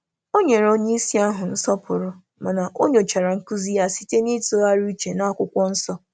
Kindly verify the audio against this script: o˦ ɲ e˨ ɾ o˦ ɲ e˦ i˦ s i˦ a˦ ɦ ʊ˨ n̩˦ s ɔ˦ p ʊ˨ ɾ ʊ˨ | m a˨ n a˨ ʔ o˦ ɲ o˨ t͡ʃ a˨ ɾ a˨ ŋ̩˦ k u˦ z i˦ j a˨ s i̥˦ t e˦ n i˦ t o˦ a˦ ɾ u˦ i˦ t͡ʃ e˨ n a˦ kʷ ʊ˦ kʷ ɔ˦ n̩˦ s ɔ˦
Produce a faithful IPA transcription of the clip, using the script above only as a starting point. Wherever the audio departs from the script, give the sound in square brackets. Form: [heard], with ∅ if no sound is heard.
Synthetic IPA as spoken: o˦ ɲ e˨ ɾ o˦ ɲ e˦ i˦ s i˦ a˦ ɦ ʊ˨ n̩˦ s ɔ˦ p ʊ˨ ɾ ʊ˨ | m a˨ n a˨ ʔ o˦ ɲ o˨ t͡ʃ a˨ ɾ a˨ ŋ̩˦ k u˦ z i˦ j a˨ s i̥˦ t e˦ n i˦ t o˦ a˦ ɾ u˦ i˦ t͡ʃ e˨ n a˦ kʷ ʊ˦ kʷ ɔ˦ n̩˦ s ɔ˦